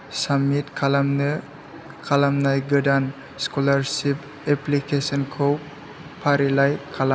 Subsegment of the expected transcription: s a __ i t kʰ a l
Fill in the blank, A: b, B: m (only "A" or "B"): B